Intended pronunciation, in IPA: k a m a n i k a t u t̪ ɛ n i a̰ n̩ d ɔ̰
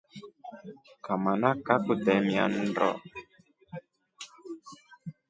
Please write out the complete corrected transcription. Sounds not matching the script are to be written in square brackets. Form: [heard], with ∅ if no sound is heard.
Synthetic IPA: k a m a n [a] k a [k] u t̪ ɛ [m] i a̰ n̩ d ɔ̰